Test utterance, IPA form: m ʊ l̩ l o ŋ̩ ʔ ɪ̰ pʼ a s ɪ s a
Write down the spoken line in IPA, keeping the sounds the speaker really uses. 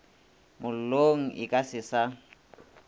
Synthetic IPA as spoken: m ʊ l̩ l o ŋ̩ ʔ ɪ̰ kʼ a s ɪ s a